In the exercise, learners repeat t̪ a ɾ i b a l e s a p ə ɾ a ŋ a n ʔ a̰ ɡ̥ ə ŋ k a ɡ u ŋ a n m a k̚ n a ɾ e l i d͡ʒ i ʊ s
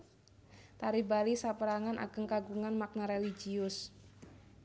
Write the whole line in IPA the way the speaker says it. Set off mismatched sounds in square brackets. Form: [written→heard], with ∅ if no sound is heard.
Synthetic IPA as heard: t̪ a ɾ i b a l [e→i] s a p ə ɾ a ŋ a n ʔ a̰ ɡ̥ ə ŋ k a ɡ u ŋ a n m a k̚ n a ɾ e l i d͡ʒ i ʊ s

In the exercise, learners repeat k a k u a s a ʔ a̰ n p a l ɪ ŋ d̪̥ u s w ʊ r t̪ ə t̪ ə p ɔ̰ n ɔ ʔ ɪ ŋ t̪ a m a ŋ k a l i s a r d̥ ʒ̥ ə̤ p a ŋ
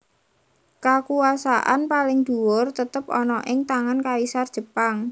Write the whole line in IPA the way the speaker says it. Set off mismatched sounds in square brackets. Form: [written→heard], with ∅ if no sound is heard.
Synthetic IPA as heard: k a k u a s a ʔ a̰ n p a l ɪ ŋ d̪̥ u [s→∅] w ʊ r t̪ ə t̪ ə p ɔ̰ n ɔ ʔ ɪ ŋ t̪ a [m→ŋ] a [ŋ→n] k a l i s a r d̥ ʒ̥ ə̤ p a ŋ

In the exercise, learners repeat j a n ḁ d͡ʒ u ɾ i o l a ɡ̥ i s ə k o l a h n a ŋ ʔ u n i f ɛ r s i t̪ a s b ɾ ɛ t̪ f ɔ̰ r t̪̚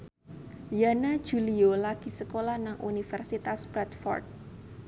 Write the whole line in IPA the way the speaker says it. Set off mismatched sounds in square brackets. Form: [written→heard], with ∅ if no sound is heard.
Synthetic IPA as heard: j a n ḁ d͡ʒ u [ɾ→l] i o l a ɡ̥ i s ə k o l a h n a ŋ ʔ u n i f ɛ r s i t̪ a s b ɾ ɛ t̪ f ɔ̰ r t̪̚

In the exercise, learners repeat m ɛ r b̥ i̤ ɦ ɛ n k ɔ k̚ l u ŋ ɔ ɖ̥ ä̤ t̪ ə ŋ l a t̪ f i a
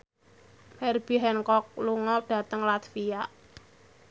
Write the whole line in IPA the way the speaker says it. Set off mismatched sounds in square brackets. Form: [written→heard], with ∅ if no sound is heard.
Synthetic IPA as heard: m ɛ r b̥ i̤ ɦ ɛ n k ɔ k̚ l u ŋ ɔ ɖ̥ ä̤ t̪ ə ŋ l a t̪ f i a

